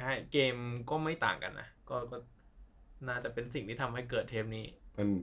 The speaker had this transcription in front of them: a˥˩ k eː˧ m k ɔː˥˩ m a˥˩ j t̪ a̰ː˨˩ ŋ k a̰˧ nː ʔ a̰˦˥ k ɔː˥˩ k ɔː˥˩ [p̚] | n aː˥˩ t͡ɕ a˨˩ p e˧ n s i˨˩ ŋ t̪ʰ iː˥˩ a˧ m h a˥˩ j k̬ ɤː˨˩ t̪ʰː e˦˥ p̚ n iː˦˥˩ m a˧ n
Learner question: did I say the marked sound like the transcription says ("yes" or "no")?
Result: no